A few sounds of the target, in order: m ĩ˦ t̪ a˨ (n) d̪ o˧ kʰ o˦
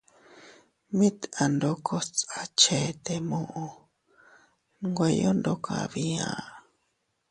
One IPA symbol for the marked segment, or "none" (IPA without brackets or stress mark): n